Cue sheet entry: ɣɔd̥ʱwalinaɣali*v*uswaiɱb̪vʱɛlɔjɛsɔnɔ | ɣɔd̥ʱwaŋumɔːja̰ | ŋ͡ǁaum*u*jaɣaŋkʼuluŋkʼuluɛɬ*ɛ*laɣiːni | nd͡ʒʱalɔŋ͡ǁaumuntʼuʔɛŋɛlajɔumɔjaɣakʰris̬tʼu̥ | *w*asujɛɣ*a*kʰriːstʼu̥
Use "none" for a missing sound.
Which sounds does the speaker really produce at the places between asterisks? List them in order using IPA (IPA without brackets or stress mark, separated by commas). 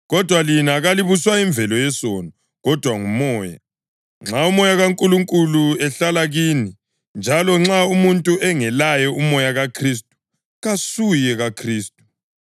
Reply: β, ɔ, a, ɣ, a